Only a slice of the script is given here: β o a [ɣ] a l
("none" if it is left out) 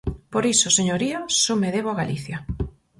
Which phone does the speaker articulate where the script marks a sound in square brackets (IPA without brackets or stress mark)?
ɣ